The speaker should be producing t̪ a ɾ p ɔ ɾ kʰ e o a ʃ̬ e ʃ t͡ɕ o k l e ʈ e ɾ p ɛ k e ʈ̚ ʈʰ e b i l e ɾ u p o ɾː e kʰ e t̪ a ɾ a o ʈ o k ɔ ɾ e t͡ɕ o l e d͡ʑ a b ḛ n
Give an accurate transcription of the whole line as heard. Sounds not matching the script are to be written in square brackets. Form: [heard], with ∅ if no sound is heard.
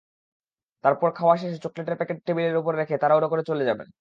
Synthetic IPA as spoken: t̪ a ɾ p ɔ ɾ kʰ [a] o a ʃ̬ e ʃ t͡ɕ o k l e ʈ e ɾ p ɛ k e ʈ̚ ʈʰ e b i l e ɾ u p o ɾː e kʰ e t̪ a ɾ a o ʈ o k [o] ɾ e t͡ɕ o l e d͡ʑ a b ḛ n